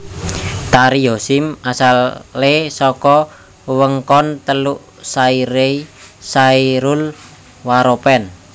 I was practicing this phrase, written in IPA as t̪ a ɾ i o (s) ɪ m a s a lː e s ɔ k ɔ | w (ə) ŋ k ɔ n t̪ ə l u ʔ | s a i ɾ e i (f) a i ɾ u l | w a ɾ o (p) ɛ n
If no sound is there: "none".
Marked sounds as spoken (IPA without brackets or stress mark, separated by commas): s, ə, s, p